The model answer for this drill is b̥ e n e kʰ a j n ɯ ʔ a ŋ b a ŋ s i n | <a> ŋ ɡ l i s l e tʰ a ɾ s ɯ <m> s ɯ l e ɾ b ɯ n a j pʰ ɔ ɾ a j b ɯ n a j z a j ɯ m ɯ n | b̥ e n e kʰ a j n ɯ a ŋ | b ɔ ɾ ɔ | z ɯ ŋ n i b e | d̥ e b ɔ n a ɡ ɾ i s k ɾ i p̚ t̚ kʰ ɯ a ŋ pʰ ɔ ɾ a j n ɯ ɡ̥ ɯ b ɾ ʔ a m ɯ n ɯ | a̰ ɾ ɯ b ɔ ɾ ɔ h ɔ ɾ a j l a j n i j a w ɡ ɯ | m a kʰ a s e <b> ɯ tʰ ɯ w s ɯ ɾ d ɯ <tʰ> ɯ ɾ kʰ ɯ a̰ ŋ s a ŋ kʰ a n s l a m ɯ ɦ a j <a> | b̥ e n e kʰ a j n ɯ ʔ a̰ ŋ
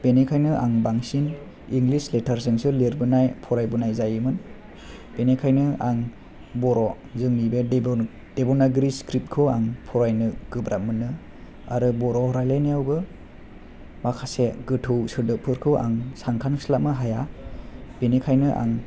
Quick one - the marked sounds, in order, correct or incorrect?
incorrect: i, incorrect: ŋ, incorrect: ɡ, incorrect: pʰ, correct

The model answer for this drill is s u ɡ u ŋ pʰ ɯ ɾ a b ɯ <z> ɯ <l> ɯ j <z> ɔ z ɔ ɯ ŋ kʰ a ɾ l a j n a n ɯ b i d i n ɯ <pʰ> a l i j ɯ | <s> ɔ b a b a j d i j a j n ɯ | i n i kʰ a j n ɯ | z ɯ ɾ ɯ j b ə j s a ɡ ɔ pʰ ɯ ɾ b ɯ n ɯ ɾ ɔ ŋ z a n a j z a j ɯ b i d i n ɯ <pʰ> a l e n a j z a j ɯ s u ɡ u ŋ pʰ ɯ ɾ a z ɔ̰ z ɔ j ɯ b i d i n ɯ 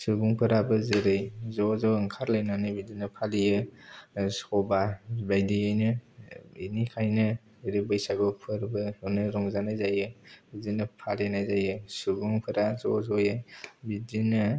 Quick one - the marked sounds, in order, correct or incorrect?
correct, incorrect: ɾ, correct, correct, correct, correct

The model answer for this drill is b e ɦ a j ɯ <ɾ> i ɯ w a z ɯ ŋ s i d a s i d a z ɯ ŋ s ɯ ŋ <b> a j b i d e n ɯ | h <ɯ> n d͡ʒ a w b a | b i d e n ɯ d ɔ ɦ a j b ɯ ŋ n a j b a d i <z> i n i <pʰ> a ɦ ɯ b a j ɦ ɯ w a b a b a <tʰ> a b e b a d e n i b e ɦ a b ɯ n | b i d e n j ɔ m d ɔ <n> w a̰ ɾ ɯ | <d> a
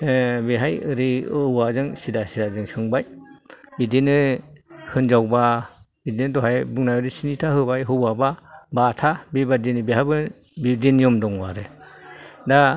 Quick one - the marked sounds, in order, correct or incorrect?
correct, correct, correct, incorrect: s, incorrect: tʰ, correct, incorrect: ŋ, correct

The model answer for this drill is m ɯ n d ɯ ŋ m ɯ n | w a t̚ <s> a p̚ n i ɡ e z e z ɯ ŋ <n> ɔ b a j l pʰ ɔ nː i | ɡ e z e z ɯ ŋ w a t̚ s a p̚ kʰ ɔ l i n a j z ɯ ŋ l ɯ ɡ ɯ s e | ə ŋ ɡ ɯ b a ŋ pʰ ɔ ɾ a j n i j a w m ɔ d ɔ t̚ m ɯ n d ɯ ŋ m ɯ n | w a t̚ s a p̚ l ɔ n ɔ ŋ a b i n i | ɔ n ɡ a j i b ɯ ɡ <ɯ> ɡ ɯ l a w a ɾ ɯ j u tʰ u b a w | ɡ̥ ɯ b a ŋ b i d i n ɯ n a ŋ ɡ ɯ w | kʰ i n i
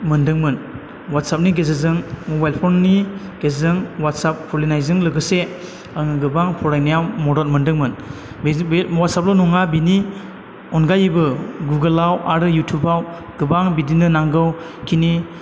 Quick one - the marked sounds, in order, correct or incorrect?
correct, incorrect: m, incorrect: u

